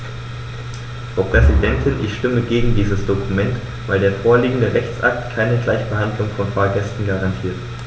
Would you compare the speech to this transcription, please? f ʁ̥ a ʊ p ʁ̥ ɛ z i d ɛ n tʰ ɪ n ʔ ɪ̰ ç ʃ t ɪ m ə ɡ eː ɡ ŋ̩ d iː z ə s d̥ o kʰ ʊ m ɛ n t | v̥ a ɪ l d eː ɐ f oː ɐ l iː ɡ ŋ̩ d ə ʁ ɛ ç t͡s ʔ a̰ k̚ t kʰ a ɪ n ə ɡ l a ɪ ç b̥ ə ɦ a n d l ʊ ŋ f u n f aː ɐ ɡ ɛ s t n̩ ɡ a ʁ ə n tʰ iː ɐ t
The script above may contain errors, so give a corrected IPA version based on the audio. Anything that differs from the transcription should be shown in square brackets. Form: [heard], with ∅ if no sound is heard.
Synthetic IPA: f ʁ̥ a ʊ p ʁ̥ ɛ z i d ɛ n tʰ ɪ n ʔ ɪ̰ ç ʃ t ɪ m ə ɡ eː ɡ ŋ̩ d iː z ə s d̥ o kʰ [u] m ɛ n t | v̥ a ɪ l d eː ɐ f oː ɐ l iː ɡ ŋ̩ d ə ʁ ɛ ç t͡s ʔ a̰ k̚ t kʰ a ɪ n ə ɡ l a ɪ ç b̥ ə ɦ a n d l ʊ ŋ f [ɔ] n f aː ɐ ɡ ɛ s t n̩ ɡ a ʁ [a] n tʰ iː ɐ t